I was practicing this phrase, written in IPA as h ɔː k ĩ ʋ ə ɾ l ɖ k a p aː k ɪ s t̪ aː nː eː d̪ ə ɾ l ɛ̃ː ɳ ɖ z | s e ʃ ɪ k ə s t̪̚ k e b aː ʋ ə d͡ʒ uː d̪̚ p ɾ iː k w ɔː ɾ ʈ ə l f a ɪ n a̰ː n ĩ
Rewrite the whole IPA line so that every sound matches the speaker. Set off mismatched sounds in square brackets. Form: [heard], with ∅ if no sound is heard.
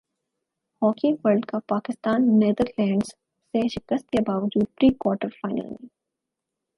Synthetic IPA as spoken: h ɔː k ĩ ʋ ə ɾ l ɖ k a p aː k ɪ s t̪ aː nː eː d̪ ə ɾ l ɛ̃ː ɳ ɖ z | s e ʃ ɪ k ə s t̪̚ k e b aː ʋ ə d͡ʒ uː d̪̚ p ɾ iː k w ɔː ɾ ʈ ə [ɾ] f a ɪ n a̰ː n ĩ